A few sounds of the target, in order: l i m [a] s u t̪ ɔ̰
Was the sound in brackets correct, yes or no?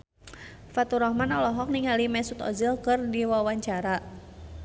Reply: no